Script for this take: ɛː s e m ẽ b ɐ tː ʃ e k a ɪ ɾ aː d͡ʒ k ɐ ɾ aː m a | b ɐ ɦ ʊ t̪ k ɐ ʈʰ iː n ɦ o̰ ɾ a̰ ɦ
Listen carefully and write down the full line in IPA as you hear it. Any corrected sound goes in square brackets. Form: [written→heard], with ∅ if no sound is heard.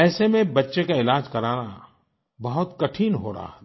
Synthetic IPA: ɛː s e m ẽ b ɐ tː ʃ e k a ɪ [ɾ→l] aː d͡ʒ k ɐ ɾ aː [m→n] a | b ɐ ɦ ʊ t̪ k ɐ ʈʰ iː n ɦ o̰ ɾ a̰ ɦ

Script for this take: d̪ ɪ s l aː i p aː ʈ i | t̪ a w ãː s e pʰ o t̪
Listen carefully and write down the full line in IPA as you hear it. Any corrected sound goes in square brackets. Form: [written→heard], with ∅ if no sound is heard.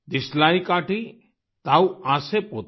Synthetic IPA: d̪ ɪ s l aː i [p→k] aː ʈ i | t̪ a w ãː s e [pʰ→p] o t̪

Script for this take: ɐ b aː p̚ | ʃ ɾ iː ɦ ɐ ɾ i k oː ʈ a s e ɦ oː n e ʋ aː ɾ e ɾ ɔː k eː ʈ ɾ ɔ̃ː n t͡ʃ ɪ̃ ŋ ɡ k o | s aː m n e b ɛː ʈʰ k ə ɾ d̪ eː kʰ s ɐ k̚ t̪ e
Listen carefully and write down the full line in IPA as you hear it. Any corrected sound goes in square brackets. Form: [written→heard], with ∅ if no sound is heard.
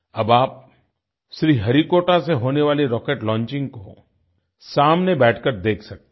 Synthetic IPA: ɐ b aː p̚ | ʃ ɾ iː ɦ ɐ ɾ i k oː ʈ a s e ɦ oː n e ʋ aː [ɾ→l] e ɾ ɔː k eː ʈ [ɾ→l] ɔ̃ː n t͡ʃ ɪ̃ ŋ ɡ k o | s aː m n e b ɛː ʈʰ k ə ɾ d̪ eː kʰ s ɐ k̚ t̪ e

